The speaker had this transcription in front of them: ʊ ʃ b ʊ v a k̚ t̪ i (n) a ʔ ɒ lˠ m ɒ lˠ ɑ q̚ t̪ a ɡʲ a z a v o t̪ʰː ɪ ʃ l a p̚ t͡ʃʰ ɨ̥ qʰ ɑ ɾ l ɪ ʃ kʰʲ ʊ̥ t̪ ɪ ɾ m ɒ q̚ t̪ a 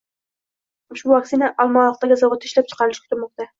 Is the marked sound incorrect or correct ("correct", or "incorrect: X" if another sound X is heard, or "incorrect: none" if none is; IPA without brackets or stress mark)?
correct